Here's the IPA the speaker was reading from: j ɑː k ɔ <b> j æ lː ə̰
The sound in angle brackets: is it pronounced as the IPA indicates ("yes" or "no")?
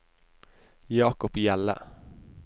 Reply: no